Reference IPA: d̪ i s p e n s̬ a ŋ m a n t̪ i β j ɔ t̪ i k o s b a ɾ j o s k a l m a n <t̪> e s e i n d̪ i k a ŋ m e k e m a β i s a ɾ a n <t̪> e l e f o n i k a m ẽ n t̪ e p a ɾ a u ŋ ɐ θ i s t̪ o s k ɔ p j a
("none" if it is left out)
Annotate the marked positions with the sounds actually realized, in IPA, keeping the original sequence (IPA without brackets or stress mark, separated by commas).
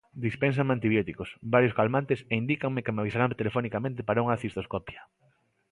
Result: t̪, t̪